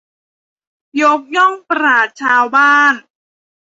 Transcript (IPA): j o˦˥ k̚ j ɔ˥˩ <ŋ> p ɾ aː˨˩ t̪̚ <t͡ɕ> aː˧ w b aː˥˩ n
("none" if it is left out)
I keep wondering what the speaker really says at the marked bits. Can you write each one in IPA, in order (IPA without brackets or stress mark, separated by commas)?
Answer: ŋ, t͡ɕʰ